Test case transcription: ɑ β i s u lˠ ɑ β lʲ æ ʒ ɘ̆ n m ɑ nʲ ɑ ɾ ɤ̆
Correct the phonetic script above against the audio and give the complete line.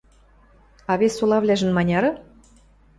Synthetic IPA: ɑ β e s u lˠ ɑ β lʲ æ ʒ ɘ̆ n m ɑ nʲ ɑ ɾ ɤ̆